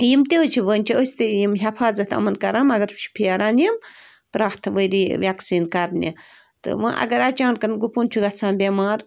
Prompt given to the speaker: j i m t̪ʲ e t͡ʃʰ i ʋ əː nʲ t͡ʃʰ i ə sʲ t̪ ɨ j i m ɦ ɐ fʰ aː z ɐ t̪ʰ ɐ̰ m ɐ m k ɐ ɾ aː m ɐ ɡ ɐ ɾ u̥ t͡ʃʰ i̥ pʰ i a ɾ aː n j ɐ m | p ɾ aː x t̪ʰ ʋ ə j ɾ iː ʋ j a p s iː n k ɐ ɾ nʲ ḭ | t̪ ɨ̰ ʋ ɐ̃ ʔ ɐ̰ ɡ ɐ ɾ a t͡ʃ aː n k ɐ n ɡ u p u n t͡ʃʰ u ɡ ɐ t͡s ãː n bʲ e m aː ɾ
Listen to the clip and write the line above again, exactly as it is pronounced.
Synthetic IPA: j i m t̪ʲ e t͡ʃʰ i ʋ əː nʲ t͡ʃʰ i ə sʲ t̪ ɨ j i m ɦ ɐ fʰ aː z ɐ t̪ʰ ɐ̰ m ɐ n k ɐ ɾ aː m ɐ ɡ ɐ ɾ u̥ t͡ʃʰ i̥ pʰ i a ɾ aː n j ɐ m | p ɾ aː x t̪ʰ ʋ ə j ɾ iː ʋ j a k s iː n k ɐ ɾ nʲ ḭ | t̪ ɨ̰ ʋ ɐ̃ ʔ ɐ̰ ɡ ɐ ɾ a t͡ʃ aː n k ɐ n ɡ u p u n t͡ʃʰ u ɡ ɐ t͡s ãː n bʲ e m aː ɾ